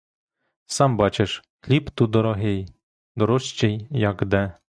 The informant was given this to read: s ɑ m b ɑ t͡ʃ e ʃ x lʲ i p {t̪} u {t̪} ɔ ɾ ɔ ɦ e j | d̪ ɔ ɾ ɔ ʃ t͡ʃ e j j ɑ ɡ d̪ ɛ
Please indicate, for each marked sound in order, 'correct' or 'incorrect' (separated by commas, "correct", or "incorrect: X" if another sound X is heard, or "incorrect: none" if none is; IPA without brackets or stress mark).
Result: correct, incorrect: d̪